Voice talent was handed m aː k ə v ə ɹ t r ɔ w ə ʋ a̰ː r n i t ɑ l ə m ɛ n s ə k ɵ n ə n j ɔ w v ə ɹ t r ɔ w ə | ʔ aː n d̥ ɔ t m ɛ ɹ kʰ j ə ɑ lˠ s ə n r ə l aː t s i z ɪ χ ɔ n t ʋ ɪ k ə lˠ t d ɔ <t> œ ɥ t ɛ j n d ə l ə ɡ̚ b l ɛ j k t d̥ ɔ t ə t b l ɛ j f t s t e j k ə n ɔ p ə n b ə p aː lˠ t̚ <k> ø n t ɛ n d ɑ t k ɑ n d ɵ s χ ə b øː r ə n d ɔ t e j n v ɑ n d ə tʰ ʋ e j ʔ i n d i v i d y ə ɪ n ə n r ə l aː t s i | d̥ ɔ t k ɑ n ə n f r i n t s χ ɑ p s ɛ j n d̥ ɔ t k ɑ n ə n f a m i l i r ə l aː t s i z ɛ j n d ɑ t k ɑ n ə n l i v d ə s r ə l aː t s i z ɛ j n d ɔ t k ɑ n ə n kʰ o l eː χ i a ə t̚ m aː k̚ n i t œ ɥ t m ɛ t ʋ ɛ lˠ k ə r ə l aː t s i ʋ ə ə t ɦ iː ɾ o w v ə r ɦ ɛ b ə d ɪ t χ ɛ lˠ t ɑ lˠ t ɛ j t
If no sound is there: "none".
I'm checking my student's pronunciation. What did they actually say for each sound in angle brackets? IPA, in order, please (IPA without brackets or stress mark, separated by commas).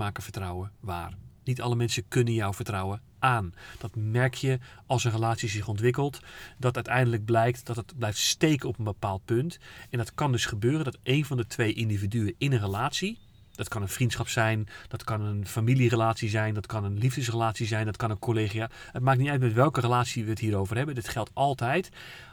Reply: t, p